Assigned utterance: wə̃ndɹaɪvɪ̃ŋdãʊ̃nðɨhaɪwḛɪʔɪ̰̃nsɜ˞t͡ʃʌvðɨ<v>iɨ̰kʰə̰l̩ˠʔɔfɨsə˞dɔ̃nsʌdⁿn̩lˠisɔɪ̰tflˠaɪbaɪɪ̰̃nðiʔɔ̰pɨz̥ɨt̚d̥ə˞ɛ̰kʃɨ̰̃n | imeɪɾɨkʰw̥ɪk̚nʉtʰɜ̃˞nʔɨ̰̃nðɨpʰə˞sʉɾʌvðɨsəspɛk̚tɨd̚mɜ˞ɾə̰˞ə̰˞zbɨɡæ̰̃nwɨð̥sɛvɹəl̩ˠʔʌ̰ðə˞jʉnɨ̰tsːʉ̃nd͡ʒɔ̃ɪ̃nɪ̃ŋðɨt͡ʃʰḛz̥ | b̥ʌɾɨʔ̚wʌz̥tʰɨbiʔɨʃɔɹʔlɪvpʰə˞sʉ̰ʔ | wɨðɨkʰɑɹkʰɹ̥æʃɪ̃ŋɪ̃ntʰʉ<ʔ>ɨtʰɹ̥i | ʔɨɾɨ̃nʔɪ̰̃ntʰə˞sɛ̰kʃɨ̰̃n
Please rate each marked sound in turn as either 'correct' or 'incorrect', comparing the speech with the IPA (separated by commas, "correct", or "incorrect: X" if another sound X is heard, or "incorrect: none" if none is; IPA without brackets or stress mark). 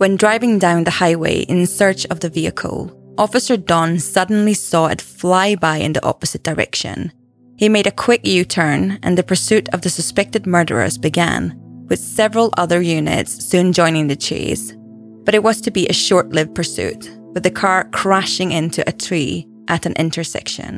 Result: correct, correct